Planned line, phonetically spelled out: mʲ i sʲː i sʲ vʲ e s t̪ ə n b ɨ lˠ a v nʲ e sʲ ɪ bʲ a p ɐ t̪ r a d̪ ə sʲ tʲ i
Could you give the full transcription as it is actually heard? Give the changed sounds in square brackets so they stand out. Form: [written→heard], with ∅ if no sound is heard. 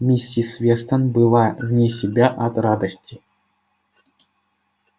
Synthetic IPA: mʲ i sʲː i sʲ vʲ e s t̪ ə n b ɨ lˠ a v nʲ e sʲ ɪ bʲ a [p→ʔ] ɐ t̪ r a d̪ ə sʲ tʲ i